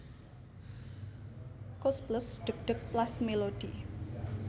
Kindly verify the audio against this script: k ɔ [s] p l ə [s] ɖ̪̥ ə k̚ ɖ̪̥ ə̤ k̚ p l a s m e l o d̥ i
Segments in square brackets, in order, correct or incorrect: correct, correct

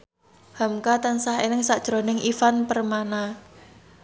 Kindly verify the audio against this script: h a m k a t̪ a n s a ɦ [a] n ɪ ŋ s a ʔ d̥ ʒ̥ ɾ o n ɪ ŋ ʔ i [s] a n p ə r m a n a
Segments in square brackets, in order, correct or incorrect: incorrect, incorrect

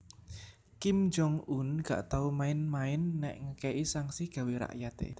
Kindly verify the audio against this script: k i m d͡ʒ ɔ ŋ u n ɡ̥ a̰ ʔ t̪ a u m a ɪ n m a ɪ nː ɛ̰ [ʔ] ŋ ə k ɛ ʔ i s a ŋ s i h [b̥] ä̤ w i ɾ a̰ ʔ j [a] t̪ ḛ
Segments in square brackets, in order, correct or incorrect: correct, incorrect, correct

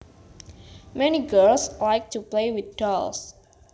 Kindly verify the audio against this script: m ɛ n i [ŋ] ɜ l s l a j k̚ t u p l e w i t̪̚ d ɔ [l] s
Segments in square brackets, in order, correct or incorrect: incorrect, correct

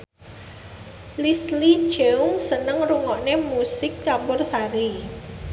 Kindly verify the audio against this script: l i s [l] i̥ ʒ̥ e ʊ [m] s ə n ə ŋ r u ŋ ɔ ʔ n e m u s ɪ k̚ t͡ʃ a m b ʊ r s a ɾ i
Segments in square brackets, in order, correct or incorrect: correct, incorrect

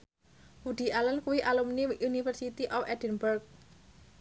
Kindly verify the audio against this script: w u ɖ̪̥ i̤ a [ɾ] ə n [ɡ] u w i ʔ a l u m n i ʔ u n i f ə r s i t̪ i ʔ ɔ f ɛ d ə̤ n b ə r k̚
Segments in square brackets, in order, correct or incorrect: incorrect, incorrect

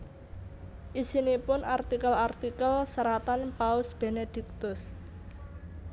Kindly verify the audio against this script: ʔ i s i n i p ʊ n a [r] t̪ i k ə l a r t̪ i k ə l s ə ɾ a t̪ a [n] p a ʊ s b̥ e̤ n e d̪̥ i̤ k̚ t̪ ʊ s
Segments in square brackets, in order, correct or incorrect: correct, correct

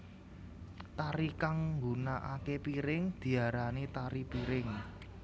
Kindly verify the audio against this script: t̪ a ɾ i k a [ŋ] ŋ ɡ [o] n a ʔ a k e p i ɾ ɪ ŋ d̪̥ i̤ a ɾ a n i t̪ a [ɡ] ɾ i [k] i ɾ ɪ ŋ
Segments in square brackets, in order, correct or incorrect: correct, incorrect, incorrect, incorrect

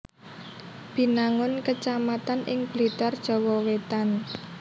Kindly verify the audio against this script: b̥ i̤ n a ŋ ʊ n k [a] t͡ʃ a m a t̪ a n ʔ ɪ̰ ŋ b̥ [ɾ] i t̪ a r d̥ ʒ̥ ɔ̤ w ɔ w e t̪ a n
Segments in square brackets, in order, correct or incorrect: incorrect, incorrect

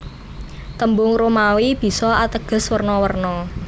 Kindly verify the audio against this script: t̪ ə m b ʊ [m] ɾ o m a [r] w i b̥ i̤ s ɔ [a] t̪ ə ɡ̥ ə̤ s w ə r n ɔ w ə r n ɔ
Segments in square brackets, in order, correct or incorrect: incorrect, incorrect, correct

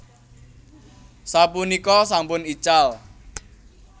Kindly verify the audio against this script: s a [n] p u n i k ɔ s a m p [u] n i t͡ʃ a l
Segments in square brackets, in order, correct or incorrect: incorrect, incorrect

